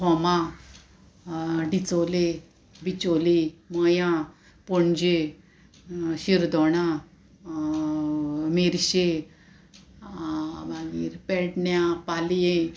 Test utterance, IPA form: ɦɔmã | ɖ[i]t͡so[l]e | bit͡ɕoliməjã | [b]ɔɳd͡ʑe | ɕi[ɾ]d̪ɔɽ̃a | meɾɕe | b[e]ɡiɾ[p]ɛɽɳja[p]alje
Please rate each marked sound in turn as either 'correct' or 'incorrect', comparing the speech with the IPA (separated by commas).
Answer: correct, correct, incorrect, correct, incorrect, correct, correct